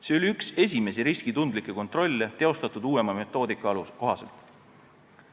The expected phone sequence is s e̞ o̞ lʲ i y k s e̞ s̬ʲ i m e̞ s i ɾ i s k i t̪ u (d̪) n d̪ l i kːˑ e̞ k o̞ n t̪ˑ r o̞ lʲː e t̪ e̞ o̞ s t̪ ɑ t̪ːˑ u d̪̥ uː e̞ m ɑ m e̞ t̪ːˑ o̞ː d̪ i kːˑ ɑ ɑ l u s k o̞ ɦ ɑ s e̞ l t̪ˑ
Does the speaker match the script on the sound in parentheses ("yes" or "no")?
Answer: no